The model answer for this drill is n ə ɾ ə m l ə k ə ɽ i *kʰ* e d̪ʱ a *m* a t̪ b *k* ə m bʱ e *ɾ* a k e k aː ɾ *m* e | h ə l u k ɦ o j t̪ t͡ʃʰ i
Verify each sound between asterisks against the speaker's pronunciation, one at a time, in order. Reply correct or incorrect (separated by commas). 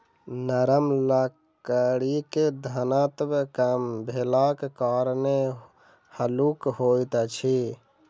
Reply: incorrect, incorrect, correct, incorrect, incorrect